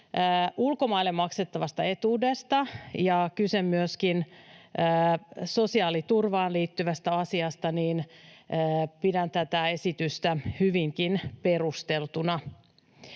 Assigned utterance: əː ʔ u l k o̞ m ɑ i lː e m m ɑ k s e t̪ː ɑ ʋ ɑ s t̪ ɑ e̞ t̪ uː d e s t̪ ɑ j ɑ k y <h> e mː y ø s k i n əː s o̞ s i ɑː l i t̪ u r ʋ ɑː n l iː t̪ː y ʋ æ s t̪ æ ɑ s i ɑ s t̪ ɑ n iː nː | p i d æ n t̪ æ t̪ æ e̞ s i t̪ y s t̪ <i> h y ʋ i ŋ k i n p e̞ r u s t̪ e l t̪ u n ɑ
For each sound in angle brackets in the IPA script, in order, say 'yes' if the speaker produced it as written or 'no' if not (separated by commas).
no, no